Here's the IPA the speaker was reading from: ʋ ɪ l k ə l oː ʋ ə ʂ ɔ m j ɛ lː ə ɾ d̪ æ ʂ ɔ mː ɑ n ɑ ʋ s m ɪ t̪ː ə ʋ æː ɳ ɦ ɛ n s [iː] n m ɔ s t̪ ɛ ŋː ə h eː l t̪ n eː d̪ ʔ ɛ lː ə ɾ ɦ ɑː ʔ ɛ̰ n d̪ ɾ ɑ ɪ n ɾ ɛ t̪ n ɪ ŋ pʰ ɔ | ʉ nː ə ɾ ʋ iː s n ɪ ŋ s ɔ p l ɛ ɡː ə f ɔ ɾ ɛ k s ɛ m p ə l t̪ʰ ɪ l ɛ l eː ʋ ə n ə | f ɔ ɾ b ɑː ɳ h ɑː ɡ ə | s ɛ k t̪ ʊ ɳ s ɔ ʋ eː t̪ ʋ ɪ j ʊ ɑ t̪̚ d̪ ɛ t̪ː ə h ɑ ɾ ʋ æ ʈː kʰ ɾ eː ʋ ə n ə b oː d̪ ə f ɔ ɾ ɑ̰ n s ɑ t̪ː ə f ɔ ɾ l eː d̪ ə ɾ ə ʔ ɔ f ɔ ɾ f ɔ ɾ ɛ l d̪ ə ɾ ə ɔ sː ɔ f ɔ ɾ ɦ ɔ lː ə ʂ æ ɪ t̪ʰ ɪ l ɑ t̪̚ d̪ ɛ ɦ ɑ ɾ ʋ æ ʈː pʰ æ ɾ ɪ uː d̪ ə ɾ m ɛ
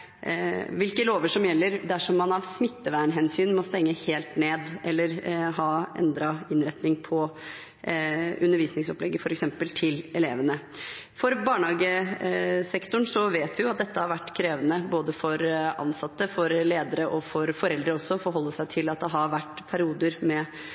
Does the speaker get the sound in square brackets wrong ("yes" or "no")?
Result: yes